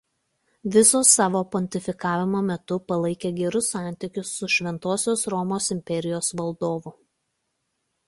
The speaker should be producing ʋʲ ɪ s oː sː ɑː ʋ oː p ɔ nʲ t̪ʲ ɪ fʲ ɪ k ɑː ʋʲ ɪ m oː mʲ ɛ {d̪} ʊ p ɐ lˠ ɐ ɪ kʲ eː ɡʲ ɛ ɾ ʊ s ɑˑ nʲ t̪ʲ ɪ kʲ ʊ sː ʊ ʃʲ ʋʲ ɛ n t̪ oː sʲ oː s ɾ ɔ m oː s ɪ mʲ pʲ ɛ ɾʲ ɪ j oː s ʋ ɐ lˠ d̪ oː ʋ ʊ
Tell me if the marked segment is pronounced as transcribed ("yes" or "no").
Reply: no